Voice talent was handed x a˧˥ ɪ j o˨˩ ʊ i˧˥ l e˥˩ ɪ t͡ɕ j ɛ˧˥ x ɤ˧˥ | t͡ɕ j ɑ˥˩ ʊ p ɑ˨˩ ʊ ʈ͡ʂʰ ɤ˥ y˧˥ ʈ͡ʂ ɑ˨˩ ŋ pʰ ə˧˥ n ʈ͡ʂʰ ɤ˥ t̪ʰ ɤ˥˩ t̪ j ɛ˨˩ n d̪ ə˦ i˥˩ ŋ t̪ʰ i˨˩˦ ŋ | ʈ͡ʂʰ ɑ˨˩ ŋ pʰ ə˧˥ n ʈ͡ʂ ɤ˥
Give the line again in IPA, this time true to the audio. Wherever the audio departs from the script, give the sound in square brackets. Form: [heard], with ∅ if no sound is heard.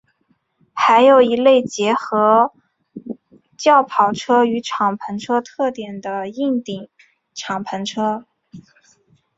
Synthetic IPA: x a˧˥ ɪ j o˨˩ ʊ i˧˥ l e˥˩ ɪ t͡ɕ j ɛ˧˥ x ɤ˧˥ | t͡ɕ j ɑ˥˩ ʊ [pʰ] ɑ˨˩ ʊ ʈ͡ʂʰ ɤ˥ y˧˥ [ʈ͡ʂʰ] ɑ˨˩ ŋ pʰ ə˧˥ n ʈ͡ʂʰ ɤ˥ t̪ʰ ɤ˥˩ t̪ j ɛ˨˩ n d̪ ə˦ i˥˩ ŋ [t̪] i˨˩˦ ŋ | ʈ͡ʂʰ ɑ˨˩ ŋ pʰ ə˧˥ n [ʈ͡ʂʰ] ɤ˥